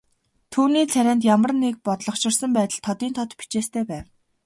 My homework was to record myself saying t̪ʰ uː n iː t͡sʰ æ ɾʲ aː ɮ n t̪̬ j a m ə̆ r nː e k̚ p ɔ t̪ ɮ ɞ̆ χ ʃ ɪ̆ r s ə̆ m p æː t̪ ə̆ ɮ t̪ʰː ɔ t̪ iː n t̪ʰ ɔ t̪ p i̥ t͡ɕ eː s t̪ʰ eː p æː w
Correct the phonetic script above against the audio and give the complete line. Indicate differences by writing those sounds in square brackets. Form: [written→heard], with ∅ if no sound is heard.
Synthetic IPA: t̪ʰ uː n iː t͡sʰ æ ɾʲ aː [ɮ→∅] n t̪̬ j a m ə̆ r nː e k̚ p ɔ t̪ ɮ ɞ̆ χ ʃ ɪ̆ r s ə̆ m p æː t̪ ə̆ ɮ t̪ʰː ɔ t̪ iː n t̪ʰ ɔ t̪ p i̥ t͡ɕ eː s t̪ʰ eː p æː w